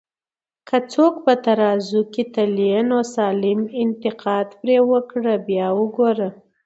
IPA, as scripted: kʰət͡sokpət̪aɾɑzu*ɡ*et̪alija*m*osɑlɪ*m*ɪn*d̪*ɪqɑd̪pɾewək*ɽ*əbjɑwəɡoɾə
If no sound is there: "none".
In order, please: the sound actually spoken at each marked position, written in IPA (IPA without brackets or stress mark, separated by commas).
k, n, m, t̪, ɽ